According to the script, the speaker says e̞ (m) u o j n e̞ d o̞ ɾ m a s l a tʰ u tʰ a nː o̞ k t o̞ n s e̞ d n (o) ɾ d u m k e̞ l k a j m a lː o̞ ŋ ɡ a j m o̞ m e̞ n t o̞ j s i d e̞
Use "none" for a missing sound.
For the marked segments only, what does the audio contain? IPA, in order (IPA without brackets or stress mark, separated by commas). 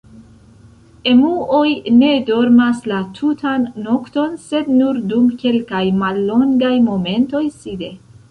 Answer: m, u